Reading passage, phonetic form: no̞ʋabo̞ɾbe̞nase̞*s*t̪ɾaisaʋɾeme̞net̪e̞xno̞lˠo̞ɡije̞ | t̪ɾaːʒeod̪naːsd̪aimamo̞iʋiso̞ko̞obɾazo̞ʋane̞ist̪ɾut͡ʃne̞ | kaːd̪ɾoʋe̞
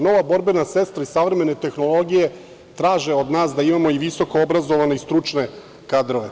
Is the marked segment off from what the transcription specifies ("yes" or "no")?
no